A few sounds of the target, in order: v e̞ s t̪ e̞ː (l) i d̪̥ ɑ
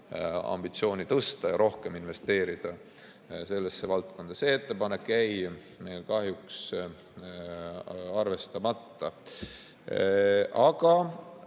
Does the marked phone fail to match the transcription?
yes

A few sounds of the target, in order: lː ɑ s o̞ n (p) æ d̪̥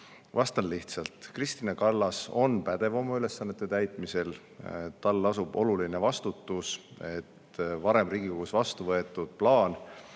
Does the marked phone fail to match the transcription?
no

